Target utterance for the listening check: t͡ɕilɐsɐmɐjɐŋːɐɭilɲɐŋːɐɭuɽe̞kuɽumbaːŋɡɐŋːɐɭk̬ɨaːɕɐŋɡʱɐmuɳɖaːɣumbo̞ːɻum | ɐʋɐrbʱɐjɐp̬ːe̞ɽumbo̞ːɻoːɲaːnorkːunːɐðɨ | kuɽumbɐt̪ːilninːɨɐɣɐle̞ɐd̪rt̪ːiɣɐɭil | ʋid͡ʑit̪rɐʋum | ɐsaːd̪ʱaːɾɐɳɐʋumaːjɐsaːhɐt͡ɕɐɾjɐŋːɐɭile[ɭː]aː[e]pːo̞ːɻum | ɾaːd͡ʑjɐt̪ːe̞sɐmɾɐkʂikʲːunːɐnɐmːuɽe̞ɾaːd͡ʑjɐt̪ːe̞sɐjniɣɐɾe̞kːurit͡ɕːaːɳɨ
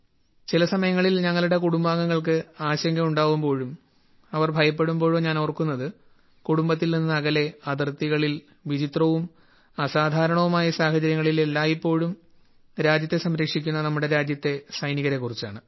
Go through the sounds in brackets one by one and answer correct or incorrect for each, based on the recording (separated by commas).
incorrect, incorrect